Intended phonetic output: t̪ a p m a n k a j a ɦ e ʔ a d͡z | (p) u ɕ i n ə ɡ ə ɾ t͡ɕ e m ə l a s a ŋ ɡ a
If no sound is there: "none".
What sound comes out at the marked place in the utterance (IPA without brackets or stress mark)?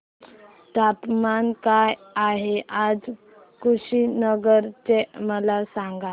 k